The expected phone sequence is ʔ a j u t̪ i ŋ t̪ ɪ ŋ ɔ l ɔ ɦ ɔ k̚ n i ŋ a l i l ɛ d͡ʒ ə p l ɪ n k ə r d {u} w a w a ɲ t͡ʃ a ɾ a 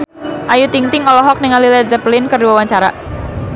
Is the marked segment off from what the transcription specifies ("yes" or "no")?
no